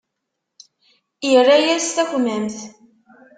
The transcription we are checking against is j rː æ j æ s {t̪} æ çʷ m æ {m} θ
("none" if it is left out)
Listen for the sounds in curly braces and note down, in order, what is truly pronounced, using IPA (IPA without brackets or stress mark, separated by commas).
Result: t̪, m